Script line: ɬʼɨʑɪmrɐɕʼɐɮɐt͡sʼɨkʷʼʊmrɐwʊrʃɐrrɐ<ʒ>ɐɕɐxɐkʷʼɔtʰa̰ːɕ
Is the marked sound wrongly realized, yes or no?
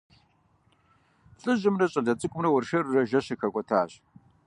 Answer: no